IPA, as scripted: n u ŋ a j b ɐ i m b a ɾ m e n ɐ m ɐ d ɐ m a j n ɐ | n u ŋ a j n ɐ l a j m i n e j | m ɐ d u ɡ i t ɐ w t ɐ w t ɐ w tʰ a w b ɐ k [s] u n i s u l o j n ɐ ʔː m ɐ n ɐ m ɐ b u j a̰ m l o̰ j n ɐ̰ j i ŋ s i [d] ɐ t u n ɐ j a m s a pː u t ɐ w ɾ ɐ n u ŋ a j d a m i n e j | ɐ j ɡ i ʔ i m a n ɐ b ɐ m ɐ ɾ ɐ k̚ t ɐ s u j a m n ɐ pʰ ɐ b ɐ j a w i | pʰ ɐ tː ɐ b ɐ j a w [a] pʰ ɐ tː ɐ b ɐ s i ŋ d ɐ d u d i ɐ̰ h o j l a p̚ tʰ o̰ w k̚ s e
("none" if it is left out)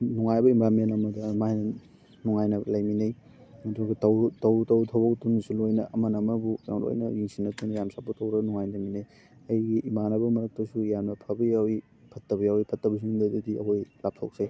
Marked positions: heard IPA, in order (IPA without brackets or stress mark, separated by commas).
t, n, i